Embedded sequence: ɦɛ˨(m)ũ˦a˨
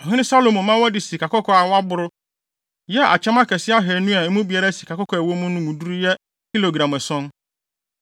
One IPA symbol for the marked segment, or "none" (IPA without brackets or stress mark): n